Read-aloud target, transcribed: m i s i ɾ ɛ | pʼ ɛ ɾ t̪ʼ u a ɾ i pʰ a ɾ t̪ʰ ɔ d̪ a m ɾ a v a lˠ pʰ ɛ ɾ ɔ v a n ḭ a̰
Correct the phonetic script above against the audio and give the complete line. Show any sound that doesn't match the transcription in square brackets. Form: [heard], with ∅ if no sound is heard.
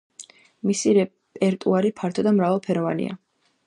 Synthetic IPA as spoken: m i s i ɾ ɛ | pʼ ɛ ɾ t̪ʼ u a ɾ i pʰ a ɾ t̪ʰ ɔ d̪ a m ɾ a v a lˠ pʰ ɛ ɾ ɔ v a n ḭ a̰